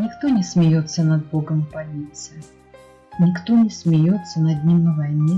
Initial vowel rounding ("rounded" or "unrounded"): unrounded